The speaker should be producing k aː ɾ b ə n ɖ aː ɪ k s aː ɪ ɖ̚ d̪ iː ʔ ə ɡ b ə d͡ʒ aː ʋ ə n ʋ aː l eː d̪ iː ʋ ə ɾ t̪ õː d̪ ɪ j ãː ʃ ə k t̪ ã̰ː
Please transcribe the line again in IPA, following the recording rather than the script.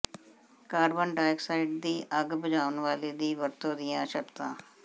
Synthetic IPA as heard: k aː ɾ b ə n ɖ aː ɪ k s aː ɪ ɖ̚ d̪ iː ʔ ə ɡ b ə d͡ʒ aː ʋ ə n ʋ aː l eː d̪ iː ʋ ə ɾ t̪ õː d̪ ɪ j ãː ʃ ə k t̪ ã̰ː